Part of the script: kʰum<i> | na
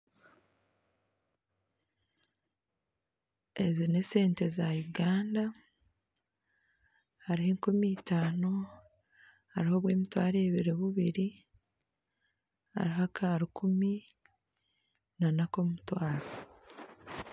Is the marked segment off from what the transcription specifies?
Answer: no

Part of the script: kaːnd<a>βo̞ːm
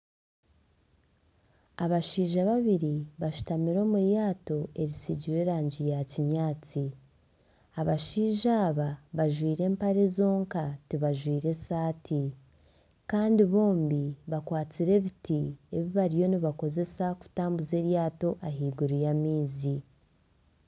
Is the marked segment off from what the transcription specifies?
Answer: yes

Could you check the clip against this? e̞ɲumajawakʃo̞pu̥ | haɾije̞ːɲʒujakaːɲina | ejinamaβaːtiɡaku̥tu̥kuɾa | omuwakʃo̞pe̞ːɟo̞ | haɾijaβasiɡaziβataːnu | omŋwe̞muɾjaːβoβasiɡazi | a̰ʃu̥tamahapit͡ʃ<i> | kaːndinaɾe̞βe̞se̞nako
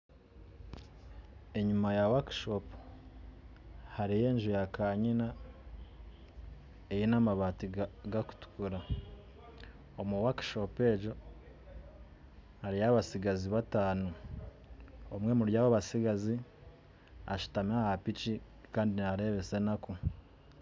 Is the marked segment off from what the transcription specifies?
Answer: no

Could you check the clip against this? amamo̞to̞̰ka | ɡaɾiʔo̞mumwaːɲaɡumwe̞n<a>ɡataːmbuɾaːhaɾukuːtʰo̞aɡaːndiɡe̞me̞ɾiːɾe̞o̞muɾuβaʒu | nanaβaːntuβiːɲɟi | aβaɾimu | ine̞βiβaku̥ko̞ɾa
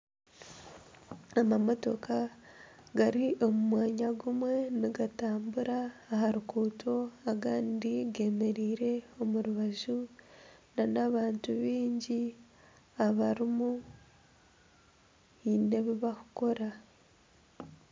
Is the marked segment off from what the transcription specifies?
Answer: yes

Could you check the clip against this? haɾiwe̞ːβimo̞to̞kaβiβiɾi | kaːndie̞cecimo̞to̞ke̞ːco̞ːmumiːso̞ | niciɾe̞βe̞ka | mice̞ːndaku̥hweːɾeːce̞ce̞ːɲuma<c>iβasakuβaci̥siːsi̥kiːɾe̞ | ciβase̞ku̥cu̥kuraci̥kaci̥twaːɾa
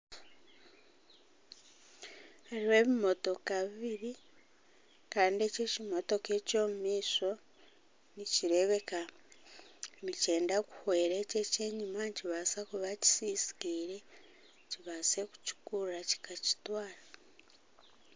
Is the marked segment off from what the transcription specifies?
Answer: no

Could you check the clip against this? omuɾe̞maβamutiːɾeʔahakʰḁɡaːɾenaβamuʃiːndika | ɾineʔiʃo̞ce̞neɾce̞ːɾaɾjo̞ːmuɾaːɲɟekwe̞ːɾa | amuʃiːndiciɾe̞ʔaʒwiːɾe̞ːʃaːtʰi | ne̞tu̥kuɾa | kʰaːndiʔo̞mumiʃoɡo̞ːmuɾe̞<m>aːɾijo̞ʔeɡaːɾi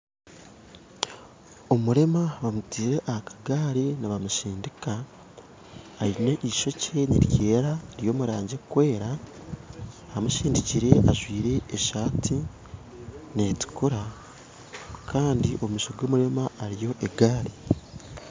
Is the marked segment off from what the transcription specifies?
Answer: no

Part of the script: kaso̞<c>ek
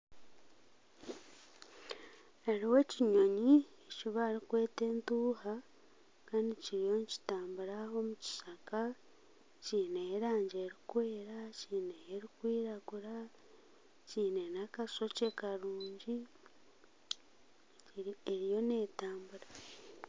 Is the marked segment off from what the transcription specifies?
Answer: no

